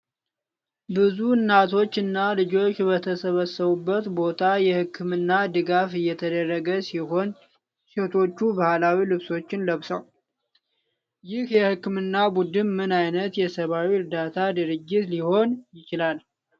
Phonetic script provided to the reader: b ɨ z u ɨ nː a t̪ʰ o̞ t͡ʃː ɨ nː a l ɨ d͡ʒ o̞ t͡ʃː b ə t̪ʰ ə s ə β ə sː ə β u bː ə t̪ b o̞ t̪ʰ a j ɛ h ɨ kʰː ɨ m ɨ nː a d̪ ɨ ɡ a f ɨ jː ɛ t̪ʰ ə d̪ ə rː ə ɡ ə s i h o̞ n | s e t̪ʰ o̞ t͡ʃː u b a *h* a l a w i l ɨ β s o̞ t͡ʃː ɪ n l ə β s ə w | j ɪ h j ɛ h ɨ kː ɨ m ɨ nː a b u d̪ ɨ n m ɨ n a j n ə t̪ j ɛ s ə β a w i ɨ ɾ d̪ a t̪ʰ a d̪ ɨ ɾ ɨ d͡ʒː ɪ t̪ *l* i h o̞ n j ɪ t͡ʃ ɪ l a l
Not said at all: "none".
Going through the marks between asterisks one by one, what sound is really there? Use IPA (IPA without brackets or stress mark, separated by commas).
h, l